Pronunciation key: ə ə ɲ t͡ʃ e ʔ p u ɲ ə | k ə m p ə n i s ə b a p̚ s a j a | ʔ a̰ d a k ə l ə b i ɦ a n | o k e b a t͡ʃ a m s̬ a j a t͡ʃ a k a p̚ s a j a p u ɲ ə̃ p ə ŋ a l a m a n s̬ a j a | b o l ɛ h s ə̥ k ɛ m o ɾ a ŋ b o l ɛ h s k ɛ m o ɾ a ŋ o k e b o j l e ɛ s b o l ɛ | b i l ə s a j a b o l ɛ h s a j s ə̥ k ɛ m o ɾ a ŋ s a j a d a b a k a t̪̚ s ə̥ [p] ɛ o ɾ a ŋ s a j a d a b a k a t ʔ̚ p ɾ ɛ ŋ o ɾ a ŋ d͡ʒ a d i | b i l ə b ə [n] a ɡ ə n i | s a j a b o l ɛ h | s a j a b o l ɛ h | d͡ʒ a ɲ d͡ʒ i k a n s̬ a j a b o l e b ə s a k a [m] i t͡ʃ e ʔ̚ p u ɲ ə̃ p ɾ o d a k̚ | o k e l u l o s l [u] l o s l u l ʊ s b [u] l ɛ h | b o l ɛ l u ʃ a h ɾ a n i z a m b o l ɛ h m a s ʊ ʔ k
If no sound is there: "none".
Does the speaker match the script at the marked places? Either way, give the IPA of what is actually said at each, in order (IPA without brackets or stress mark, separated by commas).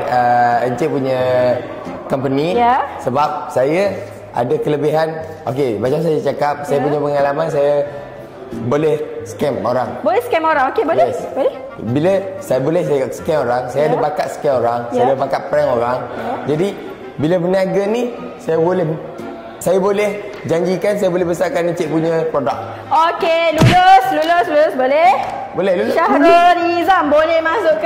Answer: k, n, n, u, o